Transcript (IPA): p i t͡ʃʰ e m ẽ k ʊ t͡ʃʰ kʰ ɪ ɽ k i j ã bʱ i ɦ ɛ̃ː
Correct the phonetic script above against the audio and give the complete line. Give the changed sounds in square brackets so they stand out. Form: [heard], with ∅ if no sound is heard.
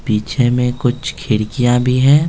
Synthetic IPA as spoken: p [iː] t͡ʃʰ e m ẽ k ʊ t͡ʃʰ kʰ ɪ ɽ k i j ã bʱ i ɦ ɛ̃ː